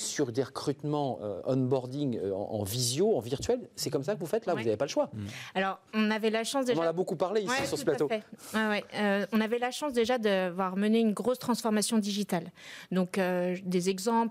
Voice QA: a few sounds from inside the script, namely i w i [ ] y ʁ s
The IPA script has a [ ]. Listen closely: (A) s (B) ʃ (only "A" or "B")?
A